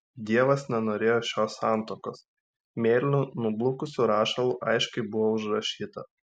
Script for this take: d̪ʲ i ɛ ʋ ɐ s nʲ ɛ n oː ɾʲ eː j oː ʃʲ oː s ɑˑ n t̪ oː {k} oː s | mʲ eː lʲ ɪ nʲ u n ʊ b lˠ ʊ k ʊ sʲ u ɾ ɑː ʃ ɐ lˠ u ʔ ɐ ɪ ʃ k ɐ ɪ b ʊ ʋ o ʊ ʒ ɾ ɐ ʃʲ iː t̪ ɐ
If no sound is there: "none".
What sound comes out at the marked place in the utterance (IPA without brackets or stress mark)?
k